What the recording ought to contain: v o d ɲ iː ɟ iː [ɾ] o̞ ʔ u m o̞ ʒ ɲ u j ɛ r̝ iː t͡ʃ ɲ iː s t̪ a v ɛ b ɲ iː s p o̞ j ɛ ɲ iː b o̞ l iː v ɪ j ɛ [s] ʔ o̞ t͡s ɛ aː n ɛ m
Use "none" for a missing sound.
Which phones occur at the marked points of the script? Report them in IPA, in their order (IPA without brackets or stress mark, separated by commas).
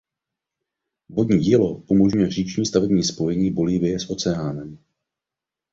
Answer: l, s